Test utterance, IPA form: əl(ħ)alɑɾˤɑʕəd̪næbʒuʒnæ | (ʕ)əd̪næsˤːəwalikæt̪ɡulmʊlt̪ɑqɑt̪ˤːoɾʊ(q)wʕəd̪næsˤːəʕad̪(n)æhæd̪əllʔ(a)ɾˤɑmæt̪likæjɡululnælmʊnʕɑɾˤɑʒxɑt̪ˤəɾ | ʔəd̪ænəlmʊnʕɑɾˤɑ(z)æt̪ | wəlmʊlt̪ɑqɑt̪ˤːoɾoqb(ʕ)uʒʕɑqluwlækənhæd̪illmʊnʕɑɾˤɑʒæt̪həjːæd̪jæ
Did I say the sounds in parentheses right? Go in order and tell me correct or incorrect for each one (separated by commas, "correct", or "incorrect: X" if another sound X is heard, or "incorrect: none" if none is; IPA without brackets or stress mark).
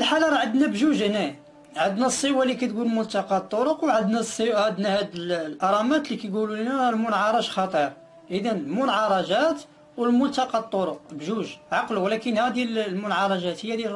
correct, correct, correct, correct, incorrect: ɑ, incorrect: ʒ, incorrect: ʒ